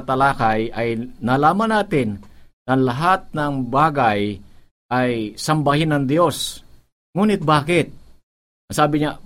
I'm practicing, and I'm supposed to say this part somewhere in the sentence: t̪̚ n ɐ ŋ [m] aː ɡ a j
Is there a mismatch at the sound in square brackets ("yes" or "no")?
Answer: yes